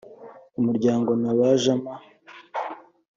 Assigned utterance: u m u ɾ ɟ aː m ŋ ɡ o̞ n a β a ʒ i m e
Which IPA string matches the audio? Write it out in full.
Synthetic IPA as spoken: u m u ɾ ɟ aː ŋ ɡ o̞ n a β a ʒ a m a

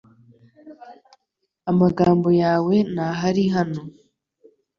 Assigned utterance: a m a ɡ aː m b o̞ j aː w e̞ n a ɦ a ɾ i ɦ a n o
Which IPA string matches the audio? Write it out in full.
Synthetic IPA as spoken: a m a ɡ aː m b o̞ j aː w e̞ n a ɦ a ɾ i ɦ a n o

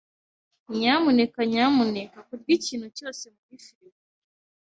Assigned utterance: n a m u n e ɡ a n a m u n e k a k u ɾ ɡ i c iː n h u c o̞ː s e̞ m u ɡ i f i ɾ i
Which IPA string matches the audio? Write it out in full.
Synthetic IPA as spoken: ɲ a m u n e k a ɲ a m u n e k a k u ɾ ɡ i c iː n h u c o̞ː s e̞ m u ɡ i f i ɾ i

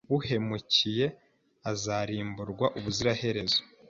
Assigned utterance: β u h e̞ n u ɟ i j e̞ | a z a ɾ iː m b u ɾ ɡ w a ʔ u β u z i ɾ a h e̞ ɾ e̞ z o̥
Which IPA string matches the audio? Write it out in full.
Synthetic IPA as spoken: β u h e̞ m u c i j e̞ | a z a ɾ iː m b u ɾ ɡ w a ʔ u β u z i ɾ a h e̞ ɾ e̞ z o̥

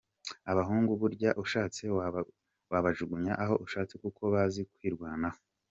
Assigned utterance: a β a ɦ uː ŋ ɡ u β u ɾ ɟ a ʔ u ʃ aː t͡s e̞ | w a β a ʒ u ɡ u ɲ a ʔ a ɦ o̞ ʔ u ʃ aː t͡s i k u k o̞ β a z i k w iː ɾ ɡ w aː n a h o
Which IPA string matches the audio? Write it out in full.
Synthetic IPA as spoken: a β a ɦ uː ŋ ɡ u β u ɾ ɟ a ʔ u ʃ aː t͡s e̞ | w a β a ʒ u ɡ u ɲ a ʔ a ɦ o̞ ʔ u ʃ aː t͡s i k u k o̞ β a z i k w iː ɾ ɡ w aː n a h o

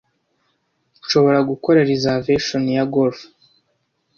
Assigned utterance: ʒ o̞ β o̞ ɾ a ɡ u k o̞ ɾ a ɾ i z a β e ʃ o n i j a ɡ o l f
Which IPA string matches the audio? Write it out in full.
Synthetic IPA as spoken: ʃ o̞ β o̞ ɾ a ɡ u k o̞ ɾ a ɾ i z a v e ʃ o n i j a ɡ o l f

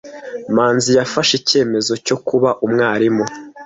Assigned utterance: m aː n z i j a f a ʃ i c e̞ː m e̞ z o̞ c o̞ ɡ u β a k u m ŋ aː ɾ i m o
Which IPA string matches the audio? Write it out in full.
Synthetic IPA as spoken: m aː n z i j a f a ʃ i c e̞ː m e̞ z o̞ c o̞ k u β a ʔ u m ŋ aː ɾ i m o

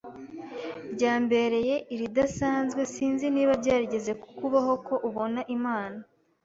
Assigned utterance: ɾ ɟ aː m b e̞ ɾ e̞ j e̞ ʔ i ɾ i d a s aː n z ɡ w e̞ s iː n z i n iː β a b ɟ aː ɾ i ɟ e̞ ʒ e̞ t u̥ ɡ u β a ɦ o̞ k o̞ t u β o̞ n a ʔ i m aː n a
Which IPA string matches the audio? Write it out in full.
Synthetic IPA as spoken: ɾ ɟ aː m b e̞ ɾ e̞ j e̞ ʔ i ɾ i d a s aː n z ɡ w e̞ s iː n z i n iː β a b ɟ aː ɾ i ɟ e̞ z e̞ k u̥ k u β a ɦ o̞ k o̞ ʔ u β o̞ n a ʔ i m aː n a

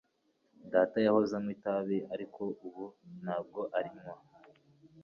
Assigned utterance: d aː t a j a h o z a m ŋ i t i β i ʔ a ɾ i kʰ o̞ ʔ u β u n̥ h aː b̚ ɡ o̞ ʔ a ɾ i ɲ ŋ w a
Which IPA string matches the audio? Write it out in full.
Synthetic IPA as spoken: d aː t a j a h o z a m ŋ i t a β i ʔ a ɾ i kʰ o̞ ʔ u β u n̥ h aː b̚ ɡ o̞ ʔ a ɾ i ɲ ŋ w a

